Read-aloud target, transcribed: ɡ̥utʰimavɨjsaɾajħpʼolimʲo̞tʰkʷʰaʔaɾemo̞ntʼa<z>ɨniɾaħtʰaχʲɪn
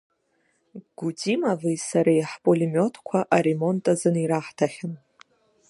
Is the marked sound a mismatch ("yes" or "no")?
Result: no